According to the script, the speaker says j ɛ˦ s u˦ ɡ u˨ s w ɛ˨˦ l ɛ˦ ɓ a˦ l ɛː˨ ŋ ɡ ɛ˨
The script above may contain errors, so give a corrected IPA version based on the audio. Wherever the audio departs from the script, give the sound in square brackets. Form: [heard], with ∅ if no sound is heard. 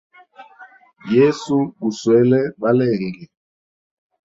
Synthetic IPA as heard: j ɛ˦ s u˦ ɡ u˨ s w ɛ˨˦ l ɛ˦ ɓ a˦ l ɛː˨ ŋ ɡ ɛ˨